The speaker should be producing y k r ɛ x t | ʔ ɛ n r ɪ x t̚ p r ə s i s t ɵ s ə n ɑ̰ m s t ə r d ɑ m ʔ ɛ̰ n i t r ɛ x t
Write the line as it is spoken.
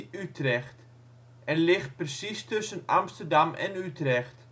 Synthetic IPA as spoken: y t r ɛ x t | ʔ ɛ n l ɪ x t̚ p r ə s i s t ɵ s ə n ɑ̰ m s t ə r d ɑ m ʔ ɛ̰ n y t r ɛ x t